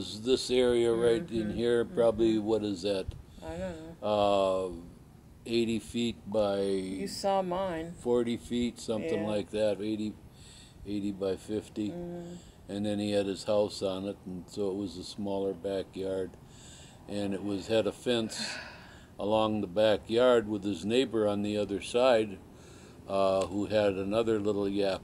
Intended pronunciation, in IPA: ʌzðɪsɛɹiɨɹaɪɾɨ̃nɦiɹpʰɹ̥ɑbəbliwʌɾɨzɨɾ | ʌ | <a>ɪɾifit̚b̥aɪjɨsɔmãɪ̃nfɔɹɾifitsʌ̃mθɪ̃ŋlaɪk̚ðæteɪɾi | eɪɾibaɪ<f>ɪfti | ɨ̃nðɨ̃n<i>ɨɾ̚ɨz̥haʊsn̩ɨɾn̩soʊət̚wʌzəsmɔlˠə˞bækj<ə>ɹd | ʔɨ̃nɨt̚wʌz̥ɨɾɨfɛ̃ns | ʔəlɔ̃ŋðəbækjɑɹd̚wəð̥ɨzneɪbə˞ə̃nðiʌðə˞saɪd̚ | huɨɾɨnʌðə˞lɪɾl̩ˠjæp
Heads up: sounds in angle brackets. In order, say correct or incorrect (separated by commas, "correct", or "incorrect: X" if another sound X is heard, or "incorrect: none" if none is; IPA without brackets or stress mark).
incorrect: e, correct, correct, incorrect: ɑ